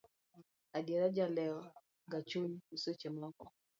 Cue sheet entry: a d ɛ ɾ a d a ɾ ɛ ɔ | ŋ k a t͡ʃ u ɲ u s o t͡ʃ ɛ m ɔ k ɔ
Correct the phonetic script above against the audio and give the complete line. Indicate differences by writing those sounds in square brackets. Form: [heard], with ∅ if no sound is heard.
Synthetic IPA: a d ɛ ɾ a [d͡ʒ] a [l] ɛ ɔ | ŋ [ɡ] a t͡ʃ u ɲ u s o t͡ʃ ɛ m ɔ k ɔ